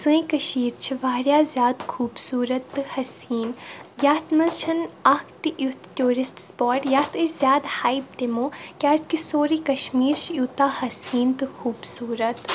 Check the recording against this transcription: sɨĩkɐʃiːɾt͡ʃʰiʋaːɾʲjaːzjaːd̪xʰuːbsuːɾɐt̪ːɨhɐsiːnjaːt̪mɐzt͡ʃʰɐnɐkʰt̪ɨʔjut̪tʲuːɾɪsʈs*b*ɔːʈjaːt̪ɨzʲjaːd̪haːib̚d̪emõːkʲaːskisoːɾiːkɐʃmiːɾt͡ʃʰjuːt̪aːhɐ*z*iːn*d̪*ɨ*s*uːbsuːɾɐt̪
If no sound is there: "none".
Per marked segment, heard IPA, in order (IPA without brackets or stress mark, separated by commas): p, s, t̪, x